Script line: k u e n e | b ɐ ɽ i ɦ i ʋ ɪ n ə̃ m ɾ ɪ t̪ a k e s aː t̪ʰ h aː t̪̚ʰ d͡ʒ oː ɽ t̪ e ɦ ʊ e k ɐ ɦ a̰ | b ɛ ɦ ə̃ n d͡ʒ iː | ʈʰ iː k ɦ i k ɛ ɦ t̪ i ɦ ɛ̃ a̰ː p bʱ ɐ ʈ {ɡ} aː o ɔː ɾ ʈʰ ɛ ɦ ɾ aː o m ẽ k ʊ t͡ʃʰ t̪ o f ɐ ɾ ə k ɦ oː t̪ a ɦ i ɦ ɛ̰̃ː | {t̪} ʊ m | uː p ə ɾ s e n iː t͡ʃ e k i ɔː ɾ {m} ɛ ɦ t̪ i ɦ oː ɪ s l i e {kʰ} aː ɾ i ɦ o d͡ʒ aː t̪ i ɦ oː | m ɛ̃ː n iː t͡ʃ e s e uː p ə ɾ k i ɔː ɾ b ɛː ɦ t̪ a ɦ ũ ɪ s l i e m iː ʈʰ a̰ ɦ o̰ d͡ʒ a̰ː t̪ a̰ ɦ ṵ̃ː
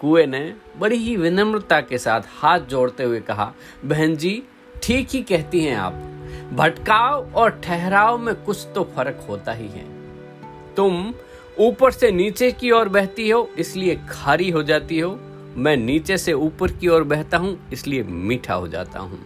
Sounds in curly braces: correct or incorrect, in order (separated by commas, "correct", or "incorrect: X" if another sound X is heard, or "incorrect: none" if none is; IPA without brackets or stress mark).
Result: incorrect: k, correct, incorrect: b, correct